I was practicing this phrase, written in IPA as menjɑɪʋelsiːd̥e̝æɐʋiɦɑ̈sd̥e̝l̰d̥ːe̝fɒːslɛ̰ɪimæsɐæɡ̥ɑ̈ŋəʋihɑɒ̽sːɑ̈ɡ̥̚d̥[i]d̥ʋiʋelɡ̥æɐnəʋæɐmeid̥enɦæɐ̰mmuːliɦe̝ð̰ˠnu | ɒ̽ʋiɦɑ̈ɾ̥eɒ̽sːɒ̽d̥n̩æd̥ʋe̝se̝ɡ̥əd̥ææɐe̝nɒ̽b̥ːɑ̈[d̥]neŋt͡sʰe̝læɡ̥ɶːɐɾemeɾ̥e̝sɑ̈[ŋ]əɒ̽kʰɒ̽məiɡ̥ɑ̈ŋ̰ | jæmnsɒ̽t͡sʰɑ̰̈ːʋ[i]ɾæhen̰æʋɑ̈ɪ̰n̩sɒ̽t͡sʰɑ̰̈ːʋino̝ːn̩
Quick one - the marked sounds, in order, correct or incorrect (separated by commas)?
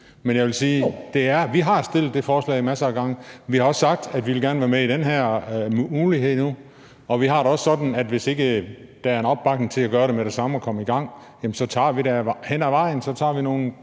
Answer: incorrect, incorrect, incorrect, correct